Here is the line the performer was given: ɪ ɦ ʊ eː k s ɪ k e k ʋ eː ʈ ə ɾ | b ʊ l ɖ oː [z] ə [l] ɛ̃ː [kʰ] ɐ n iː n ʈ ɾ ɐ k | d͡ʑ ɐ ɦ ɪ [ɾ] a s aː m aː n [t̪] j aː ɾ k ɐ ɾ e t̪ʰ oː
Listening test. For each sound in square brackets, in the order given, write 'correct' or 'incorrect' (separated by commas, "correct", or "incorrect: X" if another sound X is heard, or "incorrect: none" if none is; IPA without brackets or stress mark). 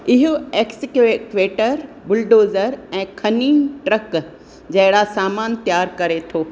correct, incorrect: ɾ, correct, incorrect: ɽ, correct